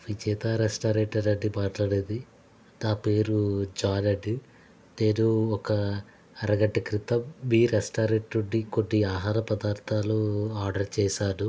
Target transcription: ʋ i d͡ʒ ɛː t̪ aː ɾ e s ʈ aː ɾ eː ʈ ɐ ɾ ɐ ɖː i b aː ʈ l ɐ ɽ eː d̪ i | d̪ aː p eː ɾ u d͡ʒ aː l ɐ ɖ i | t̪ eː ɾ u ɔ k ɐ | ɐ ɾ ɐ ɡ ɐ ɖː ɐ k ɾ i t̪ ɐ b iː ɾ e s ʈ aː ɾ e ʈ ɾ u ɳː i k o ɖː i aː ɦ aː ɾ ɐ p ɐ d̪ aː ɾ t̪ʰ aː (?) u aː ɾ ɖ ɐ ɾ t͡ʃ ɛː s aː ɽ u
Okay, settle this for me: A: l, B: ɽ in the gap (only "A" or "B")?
A